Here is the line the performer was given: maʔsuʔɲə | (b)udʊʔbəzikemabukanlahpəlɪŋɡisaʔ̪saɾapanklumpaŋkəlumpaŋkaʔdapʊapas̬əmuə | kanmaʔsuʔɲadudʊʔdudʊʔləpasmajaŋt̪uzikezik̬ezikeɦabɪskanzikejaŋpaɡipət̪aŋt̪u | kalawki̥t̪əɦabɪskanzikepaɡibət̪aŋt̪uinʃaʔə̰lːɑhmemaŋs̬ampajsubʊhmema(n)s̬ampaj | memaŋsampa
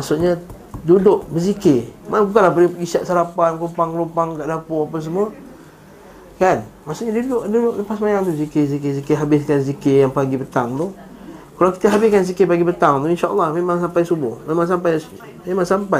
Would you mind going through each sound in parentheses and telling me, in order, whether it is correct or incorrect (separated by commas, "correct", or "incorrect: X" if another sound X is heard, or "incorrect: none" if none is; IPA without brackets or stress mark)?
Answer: incorrect: d, incorrect: ŋ